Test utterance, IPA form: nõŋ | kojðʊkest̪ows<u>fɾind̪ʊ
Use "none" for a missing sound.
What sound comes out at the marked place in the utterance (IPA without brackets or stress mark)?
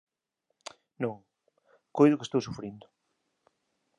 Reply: u